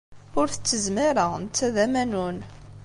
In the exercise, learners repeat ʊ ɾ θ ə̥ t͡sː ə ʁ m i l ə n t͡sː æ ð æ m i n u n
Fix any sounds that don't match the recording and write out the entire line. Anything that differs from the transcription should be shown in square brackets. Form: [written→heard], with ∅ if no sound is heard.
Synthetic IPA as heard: ʊ ɾ θ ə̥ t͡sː ə [ʁ→z] m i [l→ɾ] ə n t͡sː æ ð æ m [i→æ] n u n